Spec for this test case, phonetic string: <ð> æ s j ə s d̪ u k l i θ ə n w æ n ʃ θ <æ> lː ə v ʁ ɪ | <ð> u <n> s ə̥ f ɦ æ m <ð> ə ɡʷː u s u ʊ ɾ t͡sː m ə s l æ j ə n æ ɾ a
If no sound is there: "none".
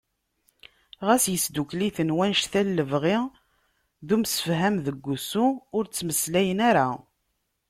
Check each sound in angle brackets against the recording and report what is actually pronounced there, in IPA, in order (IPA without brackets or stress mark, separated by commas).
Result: ʁ, æ, ð, m, ð